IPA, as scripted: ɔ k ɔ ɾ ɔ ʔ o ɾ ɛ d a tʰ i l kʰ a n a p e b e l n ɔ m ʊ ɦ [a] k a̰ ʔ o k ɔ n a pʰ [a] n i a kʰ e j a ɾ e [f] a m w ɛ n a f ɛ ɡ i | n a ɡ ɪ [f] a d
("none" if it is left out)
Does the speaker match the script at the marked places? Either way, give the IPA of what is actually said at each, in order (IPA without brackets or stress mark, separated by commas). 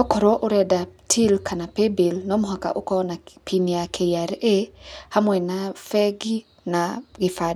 a, i, h, f